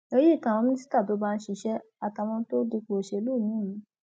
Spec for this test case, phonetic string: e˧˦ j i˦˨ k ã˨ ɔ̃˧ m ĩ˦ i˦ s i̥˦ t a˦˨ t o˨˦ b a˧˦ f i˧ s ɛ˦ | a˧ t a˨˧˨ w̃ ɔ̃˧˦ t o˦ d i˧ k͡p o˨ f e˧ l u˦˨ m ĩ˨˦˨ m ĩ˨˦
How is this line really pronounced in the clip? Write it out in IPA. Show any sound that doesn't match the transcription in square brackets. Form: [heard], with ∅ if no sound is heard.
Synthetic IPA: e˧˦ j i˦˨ k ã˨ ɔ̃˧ m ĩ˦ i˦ s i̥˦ t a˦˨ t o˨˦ b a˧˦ [ʃ] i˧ [ʃ] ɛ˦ | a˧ t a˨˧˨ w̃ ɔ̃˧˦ t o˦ d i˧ k͡p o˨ [ʃ] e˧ l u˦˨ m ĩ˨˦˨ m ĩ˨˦